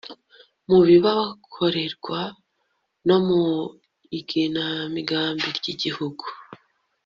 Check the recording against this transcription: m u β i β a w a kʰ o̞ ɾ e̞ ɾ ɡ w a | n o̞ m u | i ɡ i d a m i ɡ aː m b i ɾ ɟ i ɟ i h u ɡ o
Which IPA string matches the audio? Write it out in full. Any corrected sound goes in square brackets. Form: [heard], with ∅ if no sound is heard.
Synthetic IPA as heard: m u β i β a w a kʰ o̞ ɾ e̞ ɾ ɡ w a | n o̞ m u | i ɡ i [n] a m i ɡ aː m b i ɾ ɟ i ɟ i h u ɡ [u]